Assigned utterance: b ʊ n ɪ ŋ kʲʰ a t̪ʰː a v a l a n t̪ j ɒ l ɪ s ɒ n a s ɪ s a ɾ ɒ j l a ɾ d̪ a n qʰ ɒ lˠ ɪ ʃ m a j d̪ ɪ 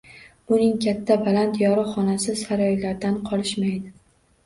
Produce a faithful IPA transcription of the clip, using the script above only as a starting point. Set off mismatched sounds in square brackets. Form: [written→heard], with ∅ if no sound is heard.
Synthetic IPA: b ʊ n ɪ ŋ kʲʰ a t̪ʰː a [v→b] a l a n t̪ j ɒ [l→ɾ] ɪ [s→χ] ɒ n a s ɪ s a ɾ ɒ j l a ɾ d̪ a n qʰ ɒ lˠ ɪ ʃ m a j d̪ ɪ